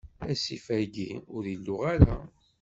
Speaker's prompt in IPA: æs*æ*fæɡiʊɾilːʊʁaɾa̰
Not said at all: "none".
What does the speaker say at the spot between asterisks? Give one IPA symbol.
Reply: i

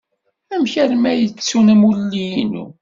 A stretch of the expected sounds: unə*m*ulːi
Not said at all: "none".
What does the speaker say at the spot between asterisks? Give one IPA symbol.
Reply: m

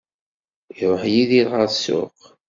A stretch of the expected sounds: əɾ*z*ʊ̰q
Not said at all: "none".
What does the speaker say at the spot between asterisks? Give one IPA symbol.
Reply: s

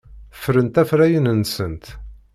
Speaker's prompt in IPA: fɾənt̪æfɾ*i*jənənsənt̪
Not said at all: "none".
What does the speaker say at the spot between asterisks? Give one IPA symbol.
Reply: æ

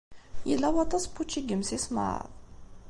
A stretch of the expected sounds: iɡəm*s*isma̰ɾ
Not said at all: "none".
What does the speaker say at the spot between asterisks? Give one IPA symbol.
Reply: s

